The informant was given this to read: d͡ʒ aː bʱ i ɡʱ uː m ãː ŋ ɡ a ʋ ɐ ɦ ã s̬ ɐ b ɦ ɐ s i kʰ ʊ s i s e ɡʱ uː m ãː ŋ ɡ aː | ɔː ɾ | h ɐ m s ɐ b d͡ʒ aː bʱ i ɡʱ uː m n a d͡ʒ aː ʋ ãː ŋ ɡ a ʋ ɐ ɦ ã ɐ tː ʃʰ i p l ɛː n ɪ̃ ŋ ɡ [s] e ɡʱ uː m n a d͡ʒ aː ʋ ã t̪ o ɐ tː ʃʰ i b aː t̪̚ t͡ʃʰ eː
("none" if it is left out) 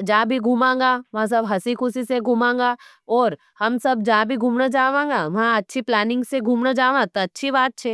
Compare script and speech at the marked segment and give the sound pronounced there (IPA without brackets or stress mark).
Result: s